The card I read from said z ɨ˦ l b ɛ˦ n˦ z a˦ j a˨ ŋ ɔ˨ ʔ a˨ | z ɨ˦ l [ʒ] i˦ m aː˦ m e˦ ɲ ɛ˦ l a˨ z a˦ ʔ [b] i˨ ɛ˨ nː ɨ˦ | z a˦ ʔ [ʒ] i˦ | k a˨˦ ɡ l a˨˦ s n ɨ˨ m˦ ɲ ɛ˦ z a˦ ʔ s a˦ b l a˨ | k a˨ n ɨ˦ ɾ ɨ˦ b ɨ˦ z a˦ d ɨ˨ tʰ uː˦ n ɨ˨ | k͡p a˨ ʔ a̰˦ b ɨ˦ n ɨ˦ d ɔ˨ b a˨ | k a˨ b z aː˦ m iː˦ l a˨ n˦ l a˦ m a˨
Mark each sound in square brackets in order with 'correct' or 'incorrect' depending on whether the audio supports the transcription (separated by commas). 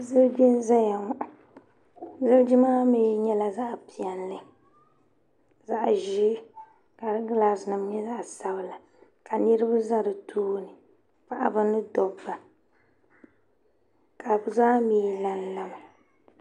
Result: incorrect, incorrect, correct